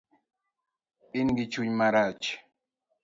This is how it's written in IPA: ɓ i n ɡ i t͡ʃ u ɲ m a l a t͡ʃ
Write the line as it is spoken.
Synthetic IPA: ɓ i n ɡ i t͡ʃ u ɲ m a ɾ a t͡ʃ